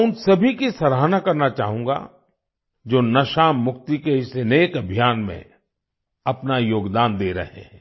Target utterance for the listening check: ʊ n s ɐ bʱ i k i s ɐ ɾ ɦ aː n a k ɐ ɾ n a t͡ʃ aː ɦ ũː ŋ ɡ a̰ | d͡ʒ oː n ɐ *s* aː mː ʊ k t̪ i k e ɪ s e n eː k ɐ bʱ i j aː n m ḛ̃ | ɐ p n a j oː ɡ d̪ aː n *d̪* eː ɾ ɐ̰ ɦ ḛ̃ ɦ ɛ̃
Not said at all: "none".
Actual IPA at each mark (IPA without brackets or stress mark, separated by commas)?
ʃ, d̪